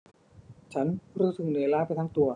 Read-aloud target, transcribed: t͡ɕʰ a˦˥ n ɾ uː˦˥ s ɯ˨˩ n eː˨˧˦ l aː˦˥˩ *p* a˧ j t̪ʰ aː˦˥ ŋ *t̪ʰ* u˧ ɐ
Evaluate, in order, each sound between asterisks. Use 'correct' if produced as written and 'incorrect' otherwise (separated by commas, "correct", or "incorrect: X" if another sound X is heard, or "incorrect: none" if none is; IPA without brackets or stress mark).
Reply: correct, incorrect: t̪